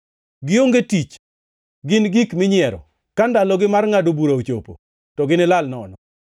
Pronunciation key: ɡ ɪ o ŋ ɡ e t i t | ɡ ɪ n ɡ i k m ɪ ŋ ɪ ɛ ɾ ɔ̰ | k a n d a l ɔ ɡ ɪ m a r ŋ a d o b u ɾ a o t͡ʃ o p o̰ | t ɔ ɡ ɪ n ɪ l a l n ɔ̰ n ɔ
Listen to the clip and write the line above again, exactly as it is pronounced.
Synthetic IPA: ɡ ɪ o ŋ ɡ e t i t͡ʃ | ɡ ɪ n ɡ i k m ɪ ɲ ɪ ɛ ɾ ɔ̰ | k a n d a l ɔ ɡ ɪ m a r ŋ a d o b u ɾ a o t͡ʃ o p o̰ | t ɔ ɡ ɪ n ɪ l a l n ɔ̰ n ɔ

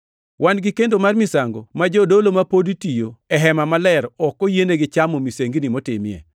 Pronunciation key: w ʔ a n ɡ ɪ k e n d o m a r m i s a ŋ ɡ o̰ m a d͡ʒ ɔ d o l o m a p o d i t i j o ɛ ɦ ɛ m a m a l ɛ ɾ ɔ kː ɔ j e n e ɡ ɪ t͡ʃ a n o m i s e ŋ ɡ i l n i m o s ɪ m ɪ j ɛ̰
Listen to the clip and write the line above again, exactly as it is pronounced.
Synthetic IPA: w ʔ a n ɡ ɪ k e n d o m a r m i s a ŋ ɡ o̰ m a d͡ʒ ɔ d o l o m a p o d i t i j o ɛ ɦ ɛ m a m a l ɛ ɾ ɔ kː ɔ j e n e ɡ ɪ t͡ʃ a m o m i s e ŋ ɡ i n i m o t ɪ m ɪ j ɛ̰

